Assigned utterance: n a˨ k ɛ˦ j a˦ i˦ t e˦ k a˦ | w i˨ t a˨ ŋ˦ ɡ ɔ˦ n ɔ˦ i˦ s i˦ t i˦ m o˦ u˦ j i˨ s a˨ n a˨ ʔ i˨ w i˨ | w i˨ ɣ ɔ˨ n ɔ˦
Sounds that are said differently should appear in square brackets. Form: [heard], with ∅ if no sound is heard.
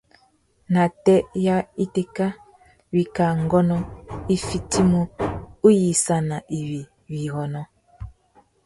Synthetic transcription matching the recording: n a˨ [t] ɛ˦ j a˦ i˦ t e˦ k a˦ | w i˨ [k] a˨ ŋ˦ ɡ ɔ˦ n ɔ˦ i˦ [f] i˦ t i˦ m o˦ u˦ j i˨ s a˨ n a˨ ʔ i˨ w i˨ | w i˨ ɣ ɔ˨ n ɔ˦